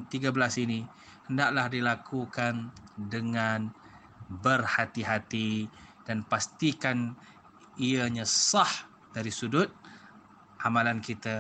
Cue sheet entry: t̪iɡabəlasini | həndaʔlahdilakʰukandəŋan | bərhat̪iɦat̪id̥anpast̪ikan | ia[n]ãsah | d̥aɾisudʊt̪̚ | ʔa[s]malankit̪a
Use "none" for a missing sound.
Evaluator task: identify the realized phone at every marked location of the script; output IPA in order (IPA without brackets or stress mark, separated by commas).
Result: ɲ, none